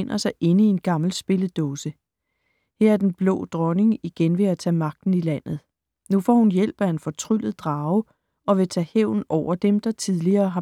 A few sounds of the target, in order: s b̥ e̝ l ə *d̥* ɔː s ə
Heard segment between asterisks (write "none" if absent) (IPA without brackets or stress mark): d̥